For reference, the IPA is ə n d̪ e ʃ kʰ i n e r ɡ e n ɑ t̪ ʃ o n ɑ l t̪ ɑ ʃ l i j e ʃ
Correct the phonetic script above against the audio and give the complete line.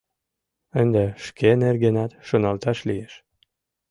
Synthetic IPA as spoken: ə n d̪ e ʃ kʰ e n e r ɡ e n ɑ t̪ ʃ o n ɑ l t̪ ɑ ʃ l i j e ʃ